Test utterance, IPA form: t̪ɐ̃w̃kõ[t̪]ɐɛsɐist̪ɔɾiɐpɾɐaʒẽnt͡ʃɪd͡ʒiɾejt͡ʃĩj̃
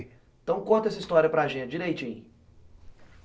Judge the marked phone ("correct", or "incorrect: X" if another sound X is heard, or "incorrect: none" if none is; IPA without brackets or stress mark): correct